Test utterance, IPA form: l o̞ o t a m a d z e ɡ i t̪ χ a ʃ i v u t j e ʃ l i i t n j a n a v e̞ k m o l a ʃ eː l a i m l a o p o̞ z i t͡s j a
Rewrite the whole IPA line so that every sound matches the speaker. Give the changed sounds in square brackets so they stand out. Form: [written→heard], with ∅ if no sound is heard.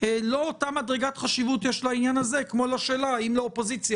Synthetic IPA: l o̞ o t a m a d [z→ʁ] e ɡ [i→a] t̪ χ a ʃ i v u t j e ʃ l [i→a] i [t→∅] n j a n a [v→z] e̞ k m o l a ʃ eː l a i m l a o p o̞ z i t͡s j a